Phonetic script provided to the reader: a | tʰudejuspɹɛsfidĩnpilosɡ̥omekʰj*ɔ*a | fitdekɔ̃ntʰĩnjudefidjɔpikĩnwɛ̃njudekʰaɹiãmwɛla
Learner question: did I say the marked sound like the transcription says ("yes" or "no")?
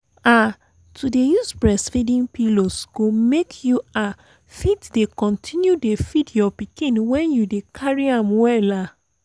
no